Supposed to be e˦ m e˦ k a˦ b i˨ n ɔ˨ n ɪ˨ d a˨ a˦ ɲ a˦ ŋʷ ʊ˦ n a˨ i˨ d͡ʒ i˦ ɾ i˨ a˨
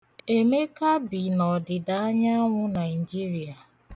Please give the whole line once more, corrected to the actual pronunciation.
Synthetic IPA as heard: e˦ m e˦ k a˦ b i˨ n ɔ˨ d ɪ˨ d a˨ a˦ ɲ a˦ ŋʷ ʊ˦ n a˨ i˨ d͡ʒ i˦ ɾ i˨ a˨